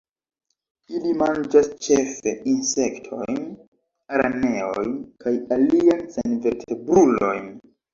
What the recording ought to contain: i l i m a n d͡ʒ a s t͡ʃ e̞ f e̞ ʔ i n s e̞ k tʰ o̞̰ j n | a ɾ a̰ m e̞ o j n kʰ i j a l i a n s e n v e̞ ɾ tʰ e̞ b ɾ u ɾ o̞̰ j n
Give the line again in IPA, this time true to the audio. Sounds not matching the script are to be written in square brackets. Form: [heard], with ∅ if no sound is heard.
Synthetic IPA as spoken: i l i m a n d͡ʒ a s t͡ʃ e̞ f e̞ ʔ i n s e̞ k tʰ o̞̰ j n | a ɾ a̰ [n] e̞ o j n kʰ [a] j a l i a n s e n v e̞ ɾ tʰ e̞ b ɾ u [l] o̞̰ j n